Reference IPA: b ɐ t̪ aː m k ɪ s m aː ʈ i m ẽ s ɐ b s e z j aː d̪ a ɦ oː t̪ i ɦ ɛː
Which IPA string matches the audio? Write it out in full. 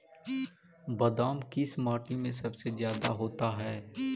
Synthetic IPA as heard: b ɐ d̪ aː m k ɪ s m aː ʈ i m ẽ s ɐ b s e z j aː d̪ a ɦ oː t̪ a ɦ ɛː